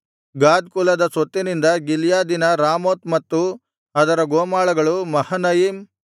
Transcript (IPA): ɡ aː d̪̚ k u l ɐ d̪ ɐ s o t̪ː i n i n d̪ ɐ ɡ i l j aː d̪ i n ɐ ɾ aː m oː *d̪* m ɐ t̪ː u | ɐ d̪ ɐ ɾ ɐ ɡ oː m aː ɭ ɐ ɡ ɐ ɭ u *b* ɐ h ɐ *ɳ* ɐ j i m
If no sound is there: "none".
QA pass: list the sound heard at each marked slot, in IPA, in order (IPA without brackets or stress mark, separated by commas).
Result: t̪, m, n